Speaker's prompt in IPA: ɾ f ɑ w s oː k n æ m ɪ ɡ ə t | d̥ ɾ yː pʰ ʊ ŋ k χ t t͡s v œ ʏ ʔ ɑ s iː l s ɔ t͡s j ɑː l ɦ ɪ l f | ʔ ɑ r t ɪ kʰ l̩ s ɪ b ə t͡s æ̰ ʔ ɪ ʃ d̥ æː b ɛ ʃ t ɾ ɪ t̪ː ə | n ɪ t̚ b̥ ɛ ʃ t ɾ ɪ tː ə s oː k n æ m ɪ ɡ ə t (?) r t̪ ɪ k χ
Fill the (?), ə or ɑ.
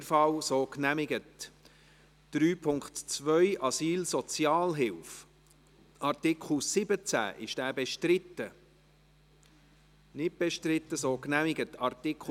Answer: ɑ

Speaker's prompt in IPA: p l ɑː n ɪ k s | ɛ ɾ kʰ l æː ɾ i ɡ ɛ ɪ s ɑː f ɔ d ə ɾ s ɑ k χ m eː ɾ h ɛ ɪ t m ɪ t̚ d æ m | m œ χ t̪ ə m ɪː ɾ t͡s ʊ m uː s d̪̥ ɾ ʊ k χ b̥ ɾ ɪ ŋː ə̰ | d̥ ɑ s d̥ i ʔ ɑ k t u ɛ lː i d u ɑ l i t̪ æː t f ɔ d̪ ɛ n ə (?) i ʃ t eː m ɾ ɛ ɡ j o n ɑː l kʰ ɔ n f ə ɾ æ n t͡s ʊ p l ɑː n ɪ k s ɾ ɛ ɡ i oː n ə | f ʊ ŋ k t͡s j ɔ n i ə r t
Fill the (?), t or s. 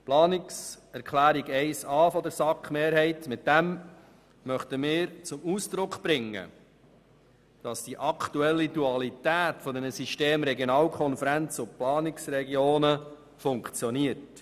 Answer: s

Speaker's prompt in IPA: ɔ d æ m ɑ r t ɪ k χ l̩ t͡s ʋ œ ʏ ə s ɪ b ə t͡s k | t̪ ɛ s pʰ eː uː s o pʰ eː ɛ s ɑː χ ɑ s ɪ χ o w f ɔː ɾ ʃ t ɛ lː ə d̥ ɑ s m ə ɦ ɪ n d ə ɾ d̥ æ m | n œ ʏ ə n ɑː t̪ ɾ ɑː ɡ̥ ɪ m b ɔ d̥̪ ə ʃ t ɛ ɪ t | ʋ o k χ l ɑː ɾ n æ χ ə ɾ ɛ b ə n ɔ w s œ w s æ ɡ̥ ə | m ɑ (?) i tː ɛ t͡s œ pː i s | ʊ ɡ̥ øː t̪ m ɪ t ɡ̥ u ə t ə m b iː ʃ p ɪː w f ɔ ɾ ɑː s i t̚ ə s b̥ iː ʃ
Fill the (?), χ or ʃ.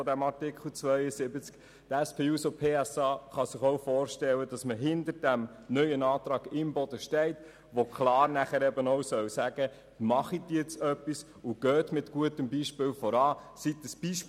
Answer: χ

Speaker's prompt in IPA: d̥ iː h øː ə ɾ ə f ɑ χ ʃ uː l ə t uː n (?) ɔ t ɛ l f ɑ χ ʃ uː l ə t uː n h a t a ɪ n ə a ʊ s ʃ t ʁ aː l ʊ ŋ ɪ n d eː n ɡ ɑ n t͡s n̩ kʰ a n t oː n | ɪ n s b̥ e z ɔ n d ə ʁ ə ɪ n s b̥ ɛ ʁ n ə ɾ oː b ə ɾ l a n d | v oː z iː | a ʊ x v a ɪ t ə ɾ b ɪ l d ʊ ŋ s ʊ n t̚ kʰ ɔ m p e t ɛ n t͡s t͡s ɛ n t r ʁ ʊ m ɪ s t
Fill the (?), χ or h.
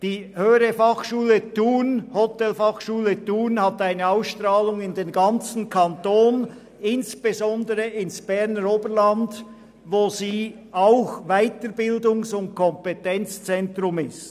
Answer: h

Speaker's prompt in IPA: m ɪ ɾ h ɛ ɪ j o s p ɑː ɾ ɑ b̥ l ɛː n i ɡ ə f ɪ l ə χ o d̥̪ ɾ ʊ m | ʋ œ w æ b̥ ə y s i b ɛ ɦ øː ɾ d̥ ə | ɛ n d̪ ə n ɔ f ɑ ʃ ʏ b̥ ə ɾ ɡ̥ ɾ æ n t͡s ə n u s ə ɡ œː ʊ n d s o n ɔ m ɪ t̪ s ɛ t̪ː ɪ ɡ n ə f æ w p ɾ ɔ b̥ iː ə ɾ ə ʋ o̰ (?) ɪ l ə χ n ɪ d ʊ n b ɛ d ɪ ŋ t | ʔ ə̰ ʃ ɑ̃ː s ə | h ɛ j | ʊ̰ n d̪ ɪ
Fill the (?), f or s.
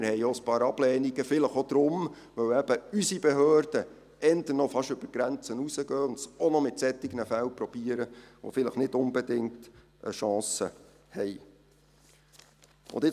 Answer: f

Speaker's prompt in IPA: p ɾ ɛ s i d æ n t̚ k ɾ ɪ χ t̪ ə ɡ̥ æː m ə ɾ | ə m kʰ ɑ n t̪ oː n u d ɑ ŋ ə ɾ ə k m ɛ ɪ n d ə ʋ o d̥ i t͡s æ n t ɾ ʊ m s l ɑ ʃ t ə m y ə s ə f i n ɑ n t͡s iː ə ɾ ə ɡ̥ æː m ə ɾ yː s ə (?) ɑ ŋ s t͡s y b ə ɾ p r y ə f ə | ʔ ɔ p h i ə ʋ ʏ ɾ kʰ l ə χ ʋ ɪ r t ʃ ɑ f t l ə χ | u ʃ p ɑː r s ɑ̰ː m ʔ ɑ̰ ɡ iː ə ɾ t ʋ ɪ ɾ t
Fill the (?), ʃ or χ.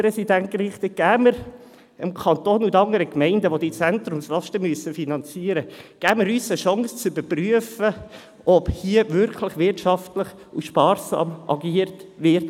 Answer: ʃ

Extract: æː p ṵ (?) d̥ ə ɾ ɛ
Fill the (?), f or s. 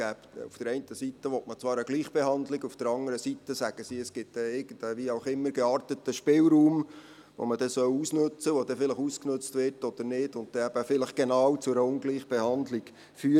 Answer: f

